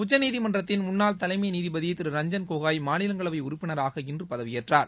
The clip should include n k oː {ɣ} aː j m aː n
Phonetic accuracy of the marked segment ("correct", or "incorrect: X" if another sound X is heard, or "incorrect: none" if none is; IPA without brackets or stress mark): correct